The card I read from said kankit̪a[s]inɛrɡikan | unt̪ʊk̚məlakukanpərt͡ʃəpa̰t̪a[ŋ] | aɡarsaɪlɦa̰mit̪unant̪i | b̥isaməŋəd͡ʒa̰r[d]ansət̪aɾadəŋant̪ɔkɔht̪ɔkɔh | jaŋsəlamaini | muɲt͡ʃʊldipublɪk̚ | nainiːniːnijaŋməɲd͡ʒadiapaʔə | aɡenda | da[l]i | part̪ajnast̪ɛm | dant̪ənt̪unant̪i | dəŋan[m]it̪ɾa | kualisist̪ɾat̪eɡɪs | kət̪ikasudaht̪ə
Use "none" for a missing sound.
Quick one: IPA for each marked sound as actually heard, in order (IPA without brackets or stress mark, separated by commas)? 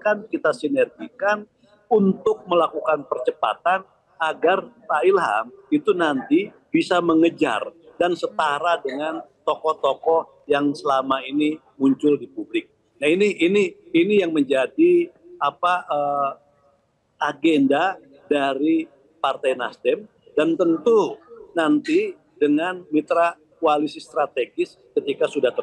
s, n, d, ɾ, m